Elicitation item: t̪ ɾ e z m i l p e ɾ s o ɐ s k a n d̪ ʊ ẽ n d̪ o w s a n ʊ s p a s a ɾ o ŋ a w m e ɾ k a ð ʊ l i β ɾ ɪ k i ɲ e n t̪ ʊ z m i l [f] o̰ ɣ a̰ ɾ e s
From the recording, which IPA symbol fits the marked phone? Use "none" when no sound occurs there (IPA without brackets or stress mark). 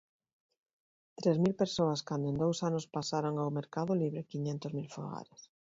f